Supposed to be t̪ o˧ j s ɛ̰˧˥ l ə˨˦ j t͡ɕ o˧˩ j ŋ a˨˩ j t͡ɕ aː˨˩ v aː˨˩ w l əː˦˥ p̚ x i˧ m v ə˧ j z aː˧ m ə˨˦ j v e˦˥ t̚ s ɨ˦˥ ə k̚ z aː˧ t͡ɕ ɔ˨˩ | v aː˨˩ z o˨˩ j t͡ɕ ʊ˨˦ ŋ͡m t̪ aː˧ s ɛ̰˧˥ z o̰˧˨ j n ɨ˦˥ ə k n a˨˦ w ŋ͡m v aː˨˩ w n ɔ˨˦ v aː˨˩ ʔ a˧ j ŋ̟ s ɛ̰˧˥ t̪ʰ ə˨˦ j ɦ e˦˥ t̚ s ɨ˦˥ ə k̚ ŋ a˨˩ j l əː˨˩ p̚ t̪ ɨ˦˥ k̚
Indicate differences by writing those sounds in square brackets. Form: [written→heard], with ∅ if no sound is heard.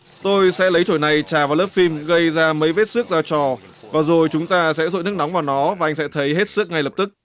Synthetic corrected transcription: t̪ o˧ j s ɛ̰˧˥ l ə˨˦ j t͡ɕ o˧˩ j [ŋ→n] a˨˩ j t͡ɕ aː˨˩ v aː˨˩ w l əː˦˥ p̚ [x→f] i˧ m [v→ɣ] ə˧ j z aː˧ m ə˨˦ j v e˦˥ t̚ s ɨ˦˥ ə k̚ z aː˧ t͡ɕ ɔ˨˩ | v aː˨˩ z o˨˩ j t͡ɕ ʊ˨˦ ŋ͡m t̪ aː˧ s ɛ̰˧˥ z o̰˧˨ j n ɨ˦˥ ə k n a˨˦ w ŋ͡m v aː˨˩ w n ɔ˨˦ v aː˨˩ ʔ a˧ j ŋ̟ s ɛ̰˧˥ t̪ʰ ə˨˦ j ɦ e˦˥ t̚ s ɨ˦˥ ə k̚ ŋ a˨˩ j l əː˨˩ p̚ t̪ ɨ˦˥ k̚